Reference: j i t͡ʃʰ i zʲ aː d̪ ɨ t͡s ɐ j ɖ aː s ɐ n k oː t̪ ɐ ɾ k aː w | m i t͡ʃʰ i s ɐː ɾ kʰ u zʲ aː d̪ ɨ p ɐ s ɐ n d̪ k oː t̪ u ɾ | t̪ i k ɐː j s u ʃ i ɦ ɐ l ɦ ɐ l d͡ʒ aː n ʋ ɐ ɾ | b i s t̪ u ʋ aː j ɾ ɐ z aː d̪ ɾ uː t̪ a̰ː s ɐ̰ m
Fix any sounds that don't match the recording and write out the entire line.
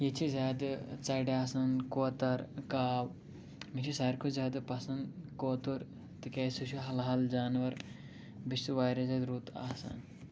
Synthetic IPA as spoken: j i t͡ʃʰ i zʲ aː d̪ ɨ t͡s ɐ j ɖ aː s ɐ n k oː t̪ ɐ ɾ k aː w | m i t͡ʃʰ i s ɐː ɾ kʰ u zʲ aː d̪ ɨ p ɐ s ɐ n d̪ k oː t̪ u ɾ | t̪ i k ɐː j s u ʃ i ɦ ɐ l ɦ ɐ l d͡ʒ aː n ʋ ɐ ɾ | b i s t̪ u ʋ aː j ɾ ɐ z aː d̪ ɾ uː t̪ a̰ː s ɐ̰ n